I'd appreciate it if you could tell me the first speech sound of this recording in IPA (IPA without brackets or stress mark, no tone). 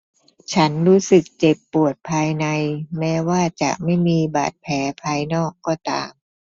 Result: t͡ɕʰ